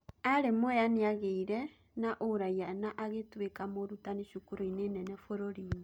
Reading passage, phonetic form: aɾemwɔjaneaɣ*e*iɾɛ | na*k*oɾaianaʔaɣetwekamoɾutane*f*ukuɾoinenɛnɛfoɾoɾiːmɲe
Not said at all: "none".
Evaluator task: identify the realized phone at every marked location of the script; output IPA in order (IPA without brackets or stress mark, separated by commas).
e, ʔ, ʃ